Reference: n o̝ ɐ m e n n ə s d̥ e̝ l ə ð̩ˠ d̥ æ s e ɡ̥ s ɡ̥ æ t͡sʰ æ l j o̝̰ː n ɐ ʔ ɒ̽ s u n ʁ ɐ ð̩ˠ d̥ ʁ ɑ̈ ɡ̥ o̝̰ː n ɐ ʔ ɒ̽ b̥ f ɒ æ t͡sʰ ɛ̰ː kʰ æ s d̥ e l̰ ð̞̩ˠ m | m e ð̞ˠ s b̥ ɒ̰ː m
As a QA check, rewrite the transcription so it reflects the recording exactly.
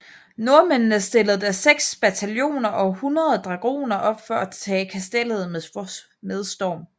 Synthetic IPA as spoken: n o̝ ɐ m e n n ə s d̥ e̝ l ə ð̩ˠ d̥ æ s e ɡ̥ s b̥ æ t͡sʰ æ l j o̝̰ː n ɐ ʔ ɒ̽ h u n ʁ ɐ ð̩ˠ d̥ ʁ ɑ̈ ɡ̥ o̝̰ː n ɐ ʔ ɒ̽ b̥ f ɒ æ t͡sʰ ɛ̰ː kʰ æ s d̥ e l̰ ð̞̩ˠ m | m e ð̞ˠ s d̥ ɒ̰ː m